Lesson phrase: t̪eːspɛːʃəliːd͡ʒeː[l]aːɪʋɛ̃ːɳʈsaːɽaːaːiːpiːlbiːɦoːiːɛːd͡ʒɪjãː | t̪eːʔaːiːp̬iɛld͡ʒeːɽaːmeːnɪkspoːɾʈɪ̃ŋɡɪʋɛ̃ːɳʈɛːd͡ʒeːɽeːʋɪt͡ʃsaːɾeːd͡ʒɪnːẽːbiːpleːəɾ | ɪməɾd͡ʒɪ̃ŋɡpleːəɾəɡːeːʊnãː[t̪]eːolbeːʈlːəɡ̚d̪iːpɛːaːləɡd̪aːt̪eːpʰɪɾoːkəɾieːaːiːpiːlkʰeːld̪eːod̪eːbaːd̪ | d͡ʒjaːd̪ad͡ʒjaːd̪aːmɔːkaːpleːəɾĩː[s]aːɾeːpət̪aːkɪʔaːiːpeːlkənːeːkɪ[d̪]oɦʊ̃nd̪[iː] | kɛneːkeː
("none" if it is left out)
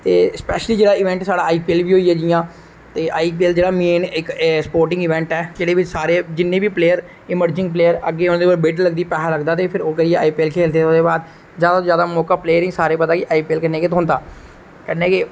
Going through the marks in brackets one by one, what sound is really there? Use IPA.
ɽ, d̪, s, t̪, aː

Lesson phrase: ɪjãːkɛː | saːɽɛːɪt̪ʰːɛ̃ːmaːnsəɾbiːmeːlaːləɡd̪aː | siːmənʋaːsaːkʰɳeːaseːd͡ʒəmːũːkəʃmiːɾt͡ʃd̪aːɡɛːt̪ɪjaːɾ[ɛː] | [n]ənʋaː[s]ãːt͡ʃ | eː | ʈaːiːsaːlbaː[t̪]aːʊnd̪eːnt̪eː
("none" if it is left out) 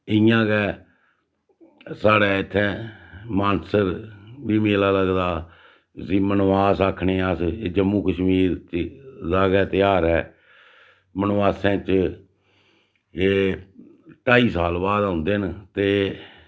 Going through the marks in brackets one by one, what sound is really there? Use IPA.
ɛː, m, s, d̪

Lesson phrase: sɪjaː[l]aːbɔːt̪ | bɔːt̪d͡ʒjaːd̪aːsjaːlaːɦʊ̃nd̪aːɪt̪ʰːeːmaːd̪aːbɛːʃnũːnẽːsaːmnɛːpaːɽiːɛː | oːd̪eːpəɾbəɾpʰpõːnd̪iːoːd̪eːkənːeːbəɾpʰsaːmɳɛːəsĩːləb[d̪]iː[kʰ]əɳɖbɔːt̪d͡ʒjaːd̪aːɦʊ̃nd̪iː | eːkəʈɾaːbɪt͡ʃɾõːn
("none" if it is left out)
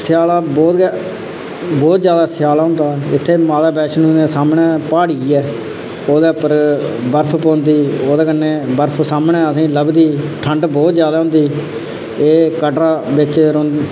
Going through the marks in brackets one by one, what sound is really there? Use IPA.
l, d̪, ʈʰ

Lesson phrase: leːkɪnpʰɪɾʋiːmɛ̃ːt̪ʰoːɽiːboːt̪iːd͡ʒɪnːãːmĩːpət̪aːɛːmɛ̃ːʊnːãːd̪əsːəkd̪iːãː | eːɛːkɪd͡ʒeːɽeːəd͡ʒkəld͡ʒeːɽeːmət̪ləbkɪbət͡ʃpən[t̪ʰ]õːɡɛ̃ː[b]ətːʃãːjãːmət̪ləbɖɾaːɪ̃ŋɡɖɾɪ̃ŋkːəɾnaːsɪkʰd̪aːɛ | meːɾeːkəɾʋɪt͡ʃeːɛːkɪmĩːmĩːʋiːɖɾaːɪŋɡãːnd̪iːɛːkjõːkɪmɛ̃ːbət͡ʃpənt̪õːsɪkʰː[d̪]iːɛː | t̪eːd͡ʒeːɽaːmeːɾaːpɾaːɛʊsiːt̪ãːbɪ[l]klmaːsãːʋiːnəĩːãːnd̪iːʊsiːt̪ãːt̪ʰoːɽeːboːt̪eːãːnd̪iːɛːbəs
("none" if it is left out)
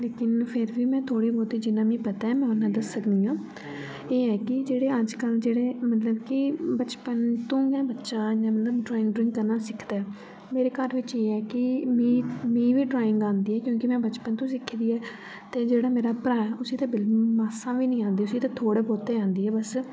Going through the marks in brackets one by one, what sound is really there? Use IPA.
t̪, b, d̪, l

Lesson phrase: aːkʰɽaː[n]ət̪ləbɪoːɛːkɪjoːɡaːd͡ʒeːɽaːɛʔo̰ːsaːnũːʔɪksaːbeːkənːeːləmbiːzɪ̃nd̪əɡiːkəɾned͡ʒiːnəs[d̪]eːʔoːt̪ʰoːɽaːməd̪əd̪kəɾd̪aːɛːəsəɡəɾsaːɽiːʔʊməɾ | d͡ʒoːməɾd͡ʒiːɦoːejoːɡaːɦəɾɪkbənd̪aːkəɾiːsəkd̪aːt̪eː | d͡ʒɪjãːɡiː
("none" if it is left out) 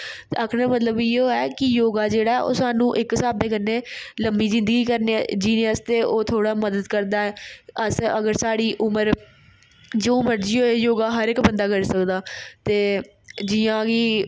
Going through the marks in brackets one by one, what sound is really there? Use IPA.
m, t̪

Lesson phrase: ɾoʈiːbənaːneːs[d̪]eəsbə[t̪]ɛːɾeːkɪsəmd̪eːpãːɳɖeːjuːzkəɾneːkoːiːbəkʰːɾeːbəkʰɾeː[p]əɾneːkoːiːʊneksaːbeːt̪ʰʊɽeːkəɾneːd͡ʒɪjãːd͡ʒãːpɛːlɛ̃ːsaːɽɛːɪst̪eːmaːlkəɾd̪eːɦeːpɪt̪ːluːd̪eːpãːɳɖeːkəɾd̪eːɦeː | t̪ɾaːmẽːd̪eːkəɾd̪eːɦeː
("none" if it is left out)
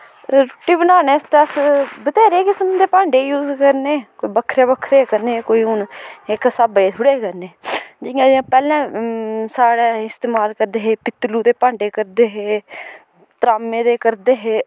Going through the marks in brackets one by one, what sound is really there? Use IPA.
t̪, t̪, k

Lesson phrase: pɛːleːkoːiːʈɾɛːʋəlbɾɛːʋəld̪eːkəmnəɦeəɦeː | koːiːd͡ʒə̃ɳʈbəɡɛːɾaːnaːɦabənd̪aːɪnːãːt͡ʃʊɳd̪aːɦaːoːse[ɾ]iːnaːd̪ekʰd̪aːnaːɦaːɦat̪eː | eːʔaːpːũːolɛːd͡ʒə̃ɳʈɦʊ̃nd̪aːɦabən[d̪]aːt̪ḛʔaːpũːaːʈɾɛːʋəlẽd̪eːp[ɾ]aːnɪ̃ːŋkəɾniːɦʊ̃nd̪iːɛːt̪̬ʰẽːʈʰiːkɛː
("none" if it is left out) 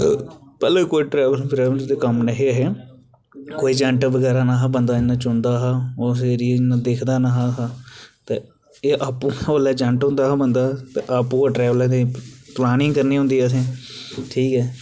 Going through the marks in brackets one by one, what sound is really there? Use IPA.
ɾ, d̪, l

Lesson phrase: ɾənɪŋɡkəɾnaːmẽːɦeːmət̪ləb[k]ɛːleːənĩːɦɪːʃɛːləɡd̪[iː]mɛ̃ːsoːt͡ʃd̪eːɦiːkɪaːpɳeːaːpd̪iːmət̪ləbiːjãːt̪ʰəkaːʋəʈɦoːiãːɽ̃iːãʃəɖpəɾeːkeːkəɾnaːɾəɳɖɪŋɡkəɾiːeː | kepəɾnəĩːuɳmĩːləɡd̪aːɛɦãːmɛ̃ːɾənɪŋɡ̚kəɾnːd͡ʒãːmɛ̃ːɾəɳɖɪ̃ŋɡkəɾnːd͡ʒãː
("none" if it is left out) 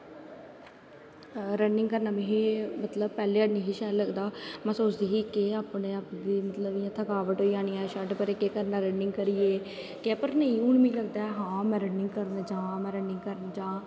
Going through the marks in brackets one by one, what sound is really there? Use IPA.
p, aː

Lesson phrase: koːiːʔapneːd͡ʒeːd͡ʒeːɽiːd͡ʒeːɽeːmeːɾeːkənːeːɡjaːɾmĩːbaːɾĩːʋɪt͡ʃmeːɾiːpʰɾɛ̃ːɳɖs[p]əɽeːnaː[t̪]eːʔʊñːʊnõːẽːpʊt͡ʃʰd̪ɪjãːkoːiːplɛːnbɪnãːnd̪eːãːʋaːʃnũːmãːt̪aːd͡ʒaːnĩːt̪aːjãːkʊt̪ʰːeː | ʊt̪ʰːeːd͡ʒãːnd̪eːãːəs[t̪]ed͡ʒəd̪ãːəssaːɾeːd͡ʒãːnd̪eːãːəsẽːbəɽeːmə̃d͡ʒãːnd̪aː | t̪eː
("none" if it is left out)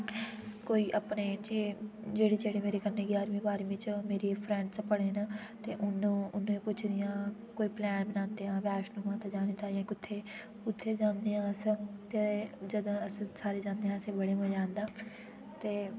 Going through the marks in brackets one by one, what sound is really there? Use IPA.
p, t̪, t̪

